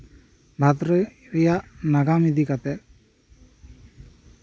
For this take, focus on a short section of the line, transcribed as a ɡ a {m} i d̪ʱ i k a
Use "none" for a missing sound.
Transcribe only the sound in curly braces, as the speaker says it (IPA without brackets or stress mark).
m